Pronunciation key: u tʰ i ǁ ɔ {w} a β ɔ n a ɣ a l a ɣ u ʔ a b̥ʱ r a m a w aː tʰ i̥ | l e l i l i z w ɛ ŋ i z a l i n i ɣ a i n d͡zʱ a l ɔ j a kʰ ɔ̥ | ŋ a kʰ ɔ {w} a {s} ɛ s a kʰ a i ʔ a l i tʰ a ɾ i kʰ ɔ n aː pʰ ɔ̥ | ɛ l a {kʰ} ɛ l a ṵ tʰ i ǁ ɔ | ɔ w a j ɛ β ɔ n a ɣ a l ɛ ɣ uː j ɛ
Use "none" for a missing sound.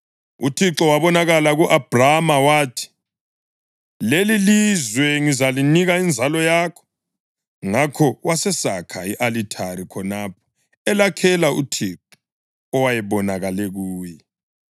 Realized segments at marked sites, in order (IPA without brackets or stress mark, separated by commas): w, w, s, kʰ